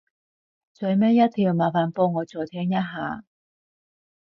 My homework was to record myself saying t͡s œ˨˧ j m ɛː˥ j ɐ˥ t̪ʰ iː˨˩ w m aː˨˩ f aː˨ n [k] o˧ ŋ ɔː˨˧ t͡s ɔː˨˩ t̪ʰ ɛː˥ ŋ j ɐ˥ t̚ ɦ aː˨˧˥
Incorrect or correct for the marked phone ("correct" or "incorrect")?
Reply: incorrect